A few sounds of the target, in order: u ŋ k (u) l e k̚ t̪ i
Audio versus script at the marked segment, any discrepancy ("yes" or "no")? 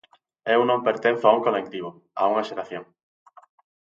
yes